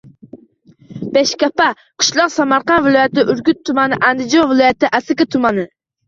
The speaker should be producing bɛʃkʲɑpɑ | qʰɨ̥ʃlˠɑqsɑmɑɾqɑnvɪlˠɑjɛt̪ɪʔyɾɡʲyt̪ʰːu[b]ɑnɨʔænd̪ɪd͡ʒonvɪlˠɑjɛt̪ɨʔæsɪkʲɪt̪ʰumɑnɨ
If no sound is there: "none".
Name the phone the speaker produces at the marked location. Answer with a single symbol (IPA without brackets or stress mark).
m